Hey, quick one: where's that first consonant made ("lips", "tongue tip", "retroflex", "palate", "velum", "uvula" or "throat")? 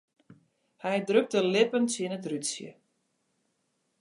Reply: throat